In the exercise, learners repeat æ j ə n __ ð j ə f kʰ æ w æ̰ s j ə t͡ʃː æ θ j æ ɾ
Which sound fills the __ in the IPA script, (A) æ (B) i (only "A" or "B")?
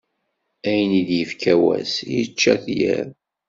B